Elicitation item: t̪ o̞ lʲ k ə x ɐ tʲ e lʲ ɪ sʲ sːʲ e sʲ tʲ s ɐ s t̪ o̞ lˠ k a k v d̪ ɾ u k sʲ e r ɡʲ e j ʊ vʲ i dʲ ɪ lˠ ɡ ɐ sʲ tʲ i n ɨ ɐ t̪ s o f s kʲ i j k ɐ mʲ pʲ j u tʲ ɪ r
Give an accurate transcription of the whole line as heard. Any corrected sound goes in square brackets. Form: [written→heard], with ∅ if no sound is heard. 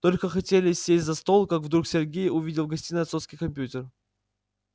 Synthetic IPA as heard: t̪ o̞ lʲ k ə x ɐ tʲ e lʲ ɪ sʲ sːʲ e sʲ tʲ [s→z] ɐ s t̪ o̞ lˠ k a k v d̪ ɾ u k sʲ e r ɡʲ e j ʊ vʲ i dʲ ɪ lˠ ɡ ɐ sʲ tʲ i n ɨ ɐ t̪ s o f s kʲ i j k ɐ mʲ pʲ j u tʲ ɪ r